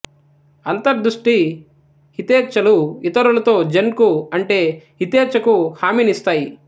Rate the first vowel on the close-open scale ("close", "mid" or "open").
open